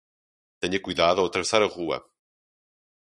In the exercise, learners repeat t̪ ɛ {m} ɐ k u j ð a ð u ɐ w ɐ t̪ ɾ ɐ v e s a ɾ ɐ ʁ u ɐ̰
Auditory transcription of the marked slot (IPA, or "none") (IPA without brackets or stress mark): ɲ